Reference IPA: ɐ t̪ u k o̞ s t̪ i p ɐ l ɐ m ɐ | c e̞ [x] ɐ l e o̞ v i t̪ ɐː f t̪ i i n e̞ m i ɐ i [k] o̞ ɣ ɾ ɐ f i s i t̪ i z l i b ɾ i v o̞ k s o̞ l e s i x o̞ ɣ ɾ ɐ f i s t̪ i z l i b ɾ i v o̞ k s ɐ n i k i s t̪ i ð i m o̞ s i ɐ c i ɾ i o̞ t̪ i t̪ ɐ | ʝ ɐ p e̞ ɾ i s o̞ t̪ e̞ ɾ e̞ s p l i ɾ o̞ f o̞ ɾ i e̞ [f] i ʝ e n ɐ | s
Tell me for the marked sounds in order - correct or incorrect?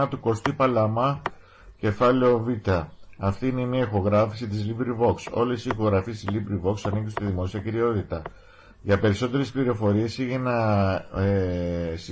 incorrect, incorrect, incorrect

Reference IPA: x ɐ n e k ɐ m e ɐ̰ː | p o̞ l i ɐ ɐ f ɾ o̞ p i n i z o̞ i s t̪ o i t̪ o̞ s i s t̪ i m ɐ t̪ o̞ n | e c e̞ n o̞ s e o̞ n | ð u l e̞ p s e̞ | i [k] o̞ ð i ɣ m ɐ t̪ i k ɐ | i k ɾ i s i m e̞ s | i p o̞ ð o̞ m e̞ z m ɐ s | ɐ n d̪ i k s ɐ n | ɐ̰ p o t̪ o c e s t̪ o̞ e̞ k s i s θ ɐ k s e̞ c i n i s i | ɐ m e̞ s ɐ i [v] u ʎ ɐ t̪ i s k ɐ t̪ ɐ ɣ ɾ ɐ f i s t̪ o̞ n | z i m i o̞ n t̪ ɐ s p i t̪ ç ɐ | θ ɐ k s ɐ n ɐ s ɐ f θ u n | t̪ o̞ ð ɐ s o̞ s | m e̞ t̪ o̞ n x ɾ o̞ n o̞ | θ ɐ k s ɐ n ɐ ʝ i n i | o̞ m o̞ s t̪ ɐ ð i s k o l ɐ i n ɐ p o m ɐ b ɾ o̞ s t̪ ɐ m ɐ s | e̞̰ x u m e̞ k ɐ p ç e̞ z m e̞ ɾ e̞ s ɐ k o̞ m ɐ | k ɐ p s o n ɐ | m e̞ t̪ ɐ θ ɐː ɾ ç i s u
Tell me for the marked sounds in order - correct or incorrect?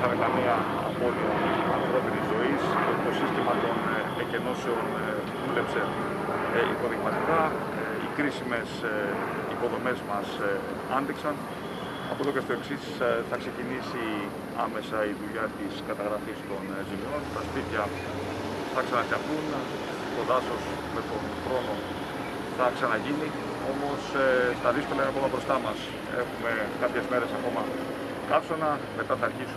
incorrect, incorrect

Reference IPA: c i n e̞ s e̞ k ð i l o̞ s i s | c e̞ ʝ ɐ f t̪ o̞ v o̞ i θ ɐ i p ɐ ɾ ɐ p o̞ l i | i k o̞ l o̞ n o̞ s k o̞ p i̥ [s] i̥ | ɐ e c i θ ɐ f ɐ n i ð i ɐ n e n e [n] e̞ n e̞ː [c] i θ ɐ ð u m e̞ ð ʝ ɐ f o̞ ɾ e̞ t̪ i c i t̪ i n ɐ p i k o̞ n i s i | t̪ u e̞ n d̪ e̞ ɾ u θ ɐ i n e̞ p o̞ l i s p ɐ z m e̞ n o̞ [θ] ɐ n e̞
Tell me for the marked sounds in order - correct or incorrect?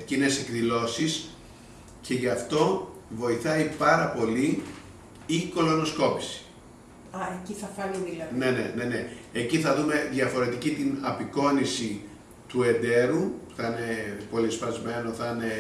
correct, correct, correct, correct

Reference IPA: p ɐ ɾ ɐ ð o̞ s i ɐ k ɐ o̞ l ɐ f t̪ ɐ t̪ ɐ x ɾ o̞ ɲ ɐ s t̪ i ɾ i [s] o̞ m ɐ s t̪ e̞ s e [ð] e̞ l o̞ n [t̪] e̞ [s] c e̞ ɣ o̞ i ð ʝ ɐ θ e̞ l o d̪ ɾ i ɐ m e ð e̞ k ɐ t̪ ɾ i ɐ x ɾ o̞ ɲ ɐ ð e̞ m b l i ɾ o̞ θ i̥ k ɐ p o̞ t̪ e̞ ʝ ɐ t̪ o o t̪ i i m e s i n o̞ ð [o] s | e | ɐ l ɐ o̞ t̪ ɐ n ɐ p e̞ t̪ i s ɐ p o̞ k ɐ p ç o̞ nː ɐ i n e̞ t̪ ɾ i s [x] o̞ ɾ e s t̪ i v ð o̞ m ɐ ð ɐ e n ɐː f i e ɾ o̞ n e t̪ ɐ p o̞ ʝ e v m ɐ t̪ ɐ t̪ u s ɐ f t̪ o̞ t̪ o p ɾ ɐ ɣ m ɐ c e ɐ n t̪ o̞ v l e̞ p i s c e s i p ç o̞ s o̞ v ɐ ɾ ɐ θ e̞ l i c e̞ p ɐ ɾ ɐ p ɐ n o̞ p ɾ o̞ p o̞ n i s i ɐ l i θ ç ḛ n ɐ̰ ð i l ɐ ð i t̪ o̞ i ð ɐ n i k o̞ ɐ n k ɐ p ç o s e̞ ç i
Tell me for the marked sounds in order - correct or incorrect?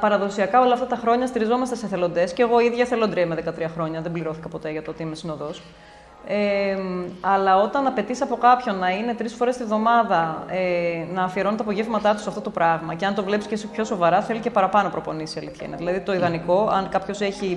incorrect, incorrect, incorrect, correct, correct, incorrect

